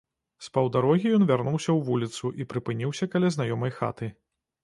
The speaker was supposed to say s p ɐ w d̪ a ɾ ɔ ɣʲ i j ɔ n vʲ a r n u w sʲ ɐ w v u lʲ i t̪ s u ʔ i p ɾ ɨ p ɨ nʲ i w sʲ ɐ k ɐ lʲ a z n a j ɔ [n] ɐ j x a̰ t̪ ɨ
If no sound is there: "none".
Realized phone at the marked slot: m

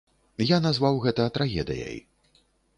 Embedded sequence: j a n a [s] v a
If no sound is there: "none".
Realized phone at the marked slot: z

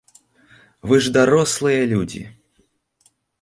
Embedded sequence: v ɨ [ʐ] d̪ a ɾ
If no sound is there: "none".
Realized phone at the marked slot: ʐ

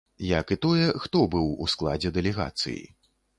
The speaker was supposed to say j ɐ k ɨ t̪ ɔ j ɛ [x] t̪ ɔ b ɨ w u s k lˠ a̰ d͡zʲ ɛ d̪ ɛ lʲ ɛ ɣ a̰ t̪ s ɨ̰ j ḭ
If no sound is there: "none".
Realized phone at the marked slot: x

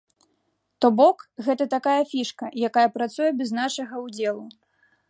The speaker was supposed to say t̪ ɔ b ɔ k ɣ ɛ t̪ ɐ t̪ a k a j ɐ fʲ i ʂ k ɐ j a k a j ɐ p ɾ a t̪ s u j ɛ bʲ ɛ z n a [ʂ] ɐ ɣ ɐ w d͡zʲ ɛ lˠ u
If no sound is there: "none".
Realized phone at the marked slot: ʂ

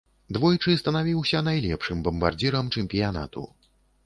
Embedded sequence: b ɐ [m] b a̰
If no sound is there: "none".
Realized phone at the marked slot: m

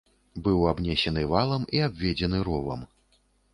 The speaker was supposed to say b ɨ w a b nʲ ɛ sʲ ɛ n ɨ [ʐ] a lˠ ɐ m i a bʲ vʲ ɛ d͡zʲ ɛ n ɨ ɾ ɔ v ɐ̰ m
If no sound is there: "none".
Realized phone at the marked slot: v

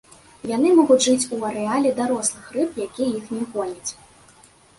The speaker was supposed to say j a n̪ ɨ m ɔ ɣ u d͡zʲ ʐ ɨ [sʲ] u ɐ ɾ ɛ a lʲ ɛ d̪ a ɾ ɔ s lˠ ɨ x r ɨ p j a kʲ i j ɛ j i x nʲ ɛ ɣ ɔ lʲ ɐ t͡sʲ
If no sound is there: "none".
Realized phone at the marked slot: t͡sʲ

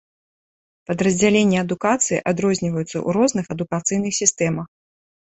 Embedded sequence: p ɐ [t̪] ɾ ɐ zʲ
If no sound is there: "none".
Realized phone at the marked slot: d̪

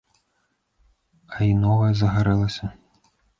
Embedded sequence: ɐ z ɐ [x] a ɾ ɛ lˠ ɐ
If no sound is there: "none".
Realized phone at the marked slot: ɣ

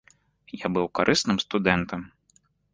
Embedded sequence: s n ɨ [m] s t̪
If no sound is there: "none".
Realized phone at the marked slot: m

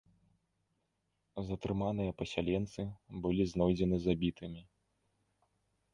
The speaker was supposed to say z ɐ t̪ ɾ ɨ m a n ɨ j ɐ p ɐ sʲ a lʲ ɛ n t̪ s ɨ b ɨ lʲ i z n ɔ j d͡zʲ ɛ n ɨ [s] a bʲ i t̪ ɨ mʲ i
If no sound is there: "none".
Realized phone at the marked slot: z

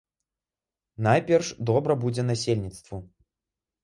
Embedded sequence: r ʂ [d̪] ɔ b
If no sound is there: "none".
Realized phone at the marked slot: d̪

